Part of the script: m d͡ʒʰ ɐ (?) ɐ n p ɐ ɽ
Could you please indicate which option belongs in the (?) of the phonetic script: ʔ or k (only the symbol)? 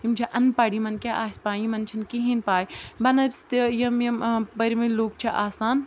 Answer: ʔ